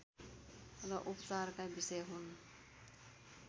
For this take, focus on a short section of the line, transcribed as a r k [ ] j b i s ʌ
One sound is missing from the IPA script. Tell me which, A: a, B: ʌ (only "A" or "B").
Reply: A